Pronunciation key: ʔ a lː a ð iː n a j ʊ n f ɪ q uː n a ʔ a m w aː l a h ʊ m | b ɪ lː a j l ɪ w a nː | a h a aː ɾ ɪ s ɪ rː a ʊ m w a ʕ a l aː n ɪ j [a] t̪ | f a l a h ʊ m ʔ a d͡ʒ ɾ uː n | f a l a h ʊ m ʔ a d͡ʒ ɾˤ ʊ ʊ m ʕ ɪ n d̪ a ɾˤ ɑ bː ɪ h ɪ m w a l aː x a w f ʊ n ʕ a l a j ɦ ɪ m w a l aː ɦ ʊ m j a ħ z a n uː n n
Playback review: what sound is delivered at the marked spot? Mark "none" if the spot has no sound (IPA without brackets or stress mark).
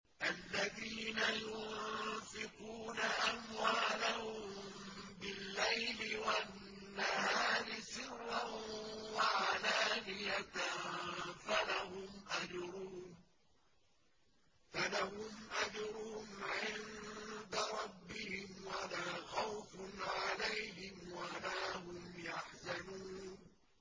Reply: a